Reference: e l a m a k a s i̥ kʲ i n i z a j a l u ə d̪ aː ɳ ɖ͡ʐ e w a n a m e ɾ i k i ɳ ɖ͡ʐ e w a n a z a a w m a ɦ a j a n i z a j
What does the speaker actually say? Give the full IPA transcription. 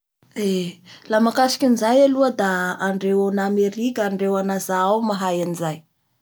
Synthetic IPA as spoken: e l a m a k a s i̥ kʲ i n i z a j a l u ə d̪ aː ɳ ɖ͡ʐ e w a n a m e ɾ i k a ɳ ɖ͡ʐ e w a n a z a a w m a ɦ a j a n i z a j